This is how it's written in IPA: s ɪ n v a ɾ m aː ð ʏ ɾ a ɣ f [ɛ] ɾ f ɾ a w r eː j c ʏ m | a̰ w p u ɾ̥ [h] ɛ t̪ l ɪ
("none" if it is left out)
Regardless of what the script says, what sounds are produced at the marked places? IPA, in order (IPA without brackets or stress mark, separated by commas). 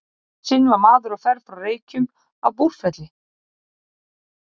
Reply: ɛ, f